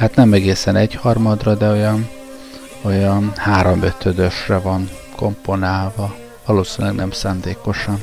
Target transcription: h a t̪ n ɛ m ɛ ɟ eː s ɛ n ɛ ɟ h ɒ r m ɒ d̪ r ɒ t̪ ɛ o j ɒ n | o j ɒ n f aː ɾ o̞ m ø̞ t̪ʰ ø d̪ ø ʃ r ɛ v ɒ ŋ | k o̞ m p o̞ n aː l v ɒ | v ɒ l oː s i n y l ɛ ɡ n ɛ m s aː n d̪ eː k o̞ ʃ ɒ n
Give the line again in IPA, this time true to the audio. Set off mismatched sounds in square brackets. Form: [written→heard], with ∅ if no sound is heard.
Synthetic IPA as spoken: h a t̪ n ɛ m ɛ [ɟ→ɡ] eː s ɛ n ɛ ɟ h ɒ r m ɒ d̪ r ɒ [t̪→d̪] ɛ o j ɒ n | o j ɒ n [f→h] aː ɾ o̞ m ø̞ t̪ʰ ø d̪ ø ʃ r ɛ v ɒ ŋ | k o̞ m p o̞ n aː l v ɒ | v ɒ l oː s i n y l ɛ ɡ n ɛ m s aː n d̪ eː k o̞ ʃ ɒ n